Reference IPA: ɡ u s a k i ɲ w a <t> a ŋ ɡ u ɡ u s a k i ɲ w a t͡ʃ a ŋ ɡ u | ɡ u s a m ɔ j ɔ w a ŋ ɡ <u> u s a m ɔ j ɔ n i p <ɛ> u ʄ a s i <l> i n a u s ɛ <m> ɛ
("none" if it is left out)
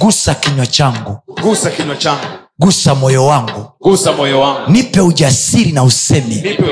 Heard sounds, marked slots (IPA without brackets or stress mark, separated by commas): t͡ʃ, u, ɛ, ɾ, m